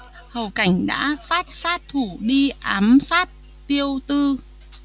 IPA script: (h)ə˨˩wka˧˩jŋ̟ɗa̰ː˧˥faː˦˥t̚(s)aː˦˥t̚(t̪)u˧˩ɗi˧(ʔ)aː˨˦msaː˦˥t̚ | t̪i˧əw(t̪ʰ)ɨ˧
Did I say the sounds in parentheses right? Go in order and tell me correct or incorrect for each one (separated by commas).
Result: correct, correct, incorrect, correct, incorrect